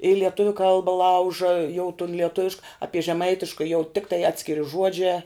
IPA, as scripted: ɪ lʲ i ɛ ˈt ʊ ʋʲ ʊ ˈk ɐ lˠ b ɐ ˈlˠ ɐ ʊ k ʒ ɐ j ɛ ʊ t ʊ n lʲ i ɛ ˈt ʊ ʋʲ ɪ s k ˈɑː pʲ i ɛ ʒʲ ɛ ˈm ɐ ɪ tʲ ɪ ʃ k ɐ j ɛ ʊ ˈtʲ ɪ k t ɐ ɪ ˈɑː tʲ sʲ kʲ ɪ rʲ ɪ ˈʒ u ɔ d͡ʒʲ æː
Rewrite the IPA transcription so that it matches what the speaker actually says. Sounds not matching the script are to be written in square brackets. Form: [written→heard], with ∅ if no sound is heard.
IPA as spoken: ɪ lʲ i ɛ ˈt ʊ ʋʲ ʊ ˈk ɐ lˠ b ɐ ˈlˠ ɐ ʊ [k→∅] ʒ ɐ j ɛ ʊ t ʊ n lʲ i ɛ ˈt ʊ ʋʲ ɪ [s→ʃ] k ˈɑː pʲ i ɛ ʒʲ ɛ ˈm ɐ ɪ tʲ ɪ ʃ k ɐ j ɛ ʊ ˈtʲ ɪ k t ɐ ɪ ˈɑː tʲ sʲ kʲ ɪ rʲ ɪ ˈʒ u ɔ d͡ʒʲ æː